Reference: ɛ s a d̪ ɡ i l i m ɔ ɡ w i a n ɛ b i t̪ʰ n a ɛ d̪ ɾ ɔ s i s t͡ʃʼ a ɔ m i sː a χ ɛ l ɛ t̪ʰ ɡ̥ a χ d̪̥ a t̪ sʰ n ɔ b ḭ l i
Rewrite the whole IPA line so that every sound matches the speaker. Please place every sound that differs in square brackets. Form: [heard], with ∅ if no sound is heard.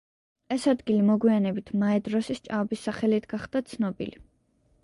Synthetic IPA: ɛ s a d̪ ɡ i l i m ɔ ɡ w i a n ɛ b i t̪ʰ [m] a ɛ d̪ ɾ ɔ s i s t͡ʃʼ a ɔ [b] i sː a χ ɛ l [i] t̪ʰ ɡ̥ a χ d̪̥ a t̪ sʰ n ɔ b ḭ l i

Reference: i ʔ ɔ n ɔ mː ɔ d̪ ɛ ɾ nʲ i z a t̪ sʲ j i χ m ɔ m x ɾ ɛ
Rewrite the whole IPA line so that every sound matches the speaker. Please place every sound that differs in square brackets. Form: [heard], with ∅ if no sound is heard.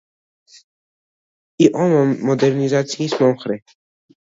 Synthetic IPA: i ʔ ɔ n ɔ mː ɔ d̪ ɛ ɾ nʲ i z a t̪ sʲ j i [s] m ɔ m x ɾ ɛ

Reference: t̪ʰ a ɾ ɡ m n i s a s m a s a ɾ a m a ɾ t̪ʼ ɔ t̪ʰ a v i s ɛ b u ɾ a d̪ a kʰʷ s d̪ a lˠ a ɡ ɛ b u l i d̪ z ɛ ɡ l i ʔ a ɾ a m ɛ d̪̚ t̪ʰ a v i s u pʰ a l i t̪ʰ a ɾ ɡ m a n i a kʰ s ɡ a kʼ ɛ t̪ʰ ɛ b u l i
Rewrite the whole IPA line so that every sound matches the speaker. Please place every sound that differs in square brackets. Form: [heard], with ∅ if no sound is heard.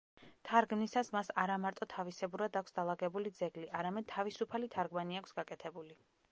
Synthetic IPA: t̪ʰ a ɾ ɡ m n i s a s m a s a ɾ a m a ɾ t̪ʼ ɔ t̪ʰ a v i s ɛ b u ɾ a d̪ a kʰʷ s d̪ a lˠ a ɡ ɛ b u l i d̪ z ɛ ɡ l i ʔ a ɾ a m ɛ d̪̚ t̪ʰ a v i s u pʰ a l i t̪ʰ a ɾ ɡ m a n i a kʰ s ɡ a kʼ ɛ t̪ʰ ɛ b u l i

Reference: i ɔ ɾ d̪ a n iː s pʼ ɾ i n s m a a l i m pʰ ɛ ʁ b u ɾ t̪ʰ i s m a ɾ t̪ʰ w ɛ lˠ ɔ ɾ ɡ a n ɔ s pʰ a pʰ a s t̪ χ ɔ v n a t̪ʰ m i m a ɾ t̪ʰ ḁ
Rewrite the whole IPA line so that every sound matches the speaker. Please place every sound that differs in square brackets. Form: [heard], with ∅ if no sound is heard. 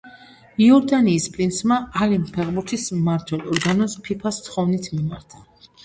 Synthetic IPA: i ɔ ɾ d̪ a n iː s pʼ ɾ i n s m a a l i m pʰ ɛ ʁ b u ɾ t̪ʰ i s m a ɾ t̪ʰ w ɛ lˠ ɔ ɾ ɡ a n ɔ s pʰ [i] pʰ a s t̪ χ ɔ v n [i] t̪ʰ m i m a ɾ t̪ʰ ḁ

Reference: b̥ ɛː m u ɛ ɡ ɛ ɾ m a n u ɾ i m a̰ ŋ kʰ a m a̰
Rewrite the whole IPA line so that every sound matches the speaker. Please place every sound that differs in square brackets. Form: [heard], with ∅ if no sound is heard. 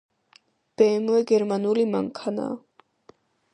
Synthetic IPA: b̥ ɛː m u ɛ ɡ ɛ ɾ m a n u [l] i m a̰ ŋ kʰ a [n] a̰

